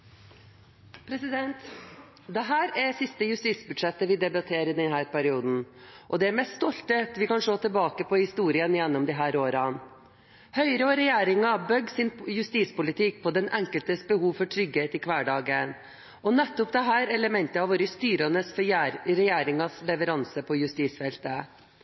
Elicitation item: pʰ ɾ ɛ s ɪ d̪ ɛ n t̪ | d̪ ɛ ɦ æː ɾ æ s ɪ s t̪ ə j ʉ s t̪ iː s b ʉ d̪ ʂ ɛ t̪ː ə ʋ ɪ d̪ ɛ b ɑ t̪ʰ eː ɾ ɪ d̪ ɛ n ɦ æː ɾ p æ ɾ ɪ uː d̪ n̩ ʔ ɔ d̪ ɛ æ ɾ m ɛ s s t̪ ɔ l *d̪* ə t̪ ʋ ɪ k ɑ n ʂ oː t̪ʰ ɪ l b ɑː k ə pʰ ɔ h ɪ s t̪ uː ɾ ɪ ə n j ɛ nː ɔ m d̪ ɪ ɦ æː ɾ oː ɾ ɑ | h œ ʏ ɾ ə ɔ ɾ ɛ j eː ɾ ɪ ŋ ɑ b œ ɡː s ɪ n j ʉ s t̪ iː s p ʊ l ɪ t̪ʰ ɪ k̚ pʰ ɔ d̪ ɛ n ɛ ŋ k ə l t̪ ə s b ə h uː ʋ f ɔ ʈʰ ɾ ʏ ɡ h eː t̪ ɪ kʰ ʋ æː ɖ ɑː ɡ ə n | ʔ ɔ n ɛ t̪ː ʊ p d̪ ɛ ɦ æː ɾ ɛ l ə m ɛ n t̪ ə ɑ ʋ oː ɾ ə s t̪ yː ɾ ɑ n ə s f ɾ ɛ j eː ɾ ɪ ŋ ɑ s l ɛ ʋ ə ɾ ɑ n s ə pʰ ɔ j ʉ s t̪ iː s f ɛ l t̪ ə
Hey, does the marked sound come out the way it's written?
no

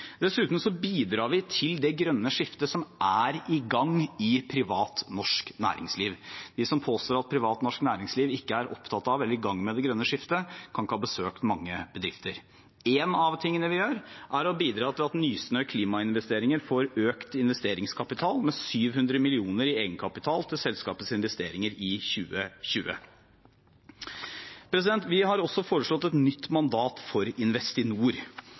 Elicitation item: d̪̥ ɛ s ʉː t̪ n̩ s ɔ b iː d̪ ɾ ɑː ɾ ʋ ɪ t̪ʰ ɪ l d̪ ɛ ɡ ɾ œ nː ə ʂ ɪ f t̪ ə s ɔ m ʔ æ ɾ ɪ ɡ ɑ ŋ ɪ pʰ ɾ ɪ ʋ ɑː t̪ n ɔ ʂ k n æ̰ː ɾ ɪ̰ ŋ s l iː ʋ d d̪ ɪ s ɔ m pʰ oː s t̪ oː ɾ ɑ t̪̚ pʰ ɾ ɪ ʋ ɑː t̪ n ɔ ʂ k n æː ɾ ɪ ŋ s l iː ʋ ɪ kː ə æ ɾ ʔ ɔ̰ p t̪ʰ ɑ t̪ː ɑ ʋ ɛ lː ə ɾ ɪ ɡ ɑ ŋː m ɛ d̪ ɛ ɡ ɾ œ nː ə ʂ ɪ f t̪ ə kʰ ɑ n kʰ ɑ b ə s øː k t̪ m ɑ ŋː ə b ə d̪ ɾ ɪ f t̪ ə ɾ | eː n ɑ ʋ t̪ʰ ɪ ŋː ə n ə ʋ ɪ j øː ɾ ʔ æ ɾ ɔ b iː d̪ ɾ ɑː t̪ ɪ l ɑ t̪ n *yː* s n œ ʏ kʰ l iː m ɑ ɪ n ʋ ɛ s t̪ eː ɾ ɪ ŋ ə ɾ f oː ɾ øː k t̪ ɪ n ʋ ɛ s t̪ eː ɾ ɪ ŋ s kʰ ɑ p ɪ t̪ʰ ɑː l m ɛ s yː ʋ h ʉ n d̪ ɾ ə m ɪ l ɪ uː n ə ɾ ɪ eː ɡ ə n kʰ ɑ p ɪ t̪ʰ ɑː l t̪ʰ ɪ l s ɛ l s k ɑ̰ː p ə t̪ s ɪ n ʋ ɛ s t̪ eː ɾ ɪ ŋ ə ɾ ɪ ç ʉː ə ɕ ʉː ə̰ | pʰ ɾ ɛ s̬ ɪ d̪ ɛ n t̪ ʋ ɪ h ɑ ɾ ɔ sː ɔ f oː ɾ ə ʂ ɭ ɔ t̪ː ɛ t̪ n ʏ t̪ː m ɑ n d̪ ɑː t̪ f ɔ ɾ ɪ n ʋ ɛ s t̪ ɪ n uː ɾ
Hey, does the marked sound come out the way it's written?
yes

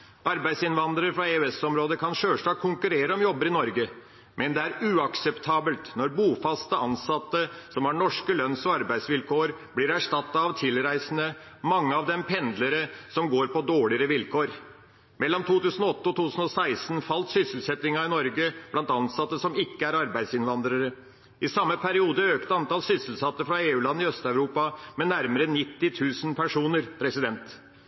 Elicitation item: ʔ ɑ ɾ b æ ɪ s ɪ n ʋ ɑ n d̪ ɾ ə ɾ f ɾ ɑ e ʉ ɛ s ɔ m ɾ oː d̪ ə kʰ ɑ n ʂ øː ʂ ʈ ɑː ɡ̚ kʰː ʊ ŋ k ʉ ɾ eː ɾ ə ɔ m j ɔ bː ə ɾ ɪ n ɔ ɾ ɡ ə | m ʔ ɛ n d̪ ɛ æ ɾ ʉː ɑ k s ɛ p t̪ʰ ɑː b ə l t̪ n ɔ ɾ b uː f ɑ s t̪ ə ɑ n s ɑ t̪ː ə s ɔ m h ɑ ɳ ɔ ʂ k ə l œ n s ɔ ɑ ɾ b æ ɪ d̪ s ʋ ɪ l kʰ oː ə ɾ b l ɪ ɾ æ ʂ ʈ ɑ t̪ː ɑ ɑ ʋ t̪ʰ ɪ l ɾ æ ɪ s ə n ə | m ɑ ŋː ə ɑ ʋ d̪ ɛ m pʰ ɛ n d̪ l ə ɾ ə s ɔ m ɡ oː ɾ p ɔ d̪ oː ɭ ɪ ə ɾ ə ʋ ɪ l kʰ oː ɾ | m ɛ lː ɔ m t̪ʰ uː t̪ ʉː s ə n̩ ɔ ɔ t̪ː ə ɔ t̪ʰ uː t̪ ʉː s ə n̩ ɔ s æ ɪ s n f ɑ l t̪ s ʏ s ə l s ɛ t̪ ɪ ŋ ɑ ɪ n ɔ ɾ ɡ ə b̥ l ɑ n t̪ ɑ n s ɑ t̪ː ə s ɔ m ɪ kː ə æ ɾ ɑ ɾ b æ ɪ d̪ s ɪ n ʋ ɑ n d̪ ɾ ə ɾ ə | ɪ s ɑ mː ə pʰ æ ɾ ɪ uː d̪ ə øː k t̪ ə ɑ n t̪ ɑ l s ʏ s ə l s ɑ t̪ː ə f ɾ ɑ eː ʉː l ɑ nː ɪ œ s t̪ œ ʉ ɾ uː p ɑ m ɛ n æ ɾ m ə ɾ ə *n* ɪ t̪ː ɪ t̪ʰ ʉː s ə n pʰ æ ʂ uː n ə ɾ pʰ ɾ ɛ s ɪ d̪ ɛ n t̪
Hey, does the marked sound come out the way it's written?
yes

